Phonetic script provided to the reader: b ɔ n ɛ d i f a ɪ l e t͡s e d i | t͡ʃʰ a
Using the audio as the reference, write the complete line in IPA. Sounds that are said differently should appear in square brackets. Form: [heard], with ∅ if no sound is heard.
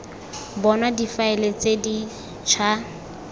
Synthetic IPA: b ɔ n [a] d i f a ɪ l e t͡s e d i | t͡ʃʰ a